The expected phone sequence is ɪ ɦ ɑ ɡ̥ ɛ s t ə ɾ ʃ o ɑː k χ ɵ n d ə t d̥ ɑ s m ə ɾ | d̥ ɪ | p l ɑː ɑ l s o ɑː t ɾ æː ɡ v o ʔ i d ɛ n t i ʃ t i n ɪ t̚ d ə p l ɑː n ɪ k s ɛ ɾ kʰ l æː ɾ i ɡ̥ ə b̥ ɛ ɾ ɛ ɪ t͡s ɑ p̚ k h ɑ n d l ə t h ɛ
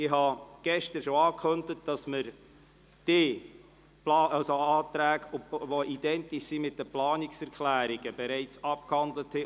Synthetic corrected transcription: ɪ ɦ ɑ ɡ̥ ɛ ʃ t ə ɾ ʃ o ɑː k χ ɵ n d ə t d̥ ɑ s m ə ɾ | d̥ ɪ | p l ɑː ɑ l s o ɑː t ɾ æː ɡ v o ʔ i d ɛ n t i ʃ s i m ɪ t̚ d ə p l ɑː n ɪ k s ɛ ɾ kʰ l æː ɾ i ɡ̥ ə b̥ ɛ ɾ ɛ ɪ t͡s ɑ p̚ k h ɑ n d l ə t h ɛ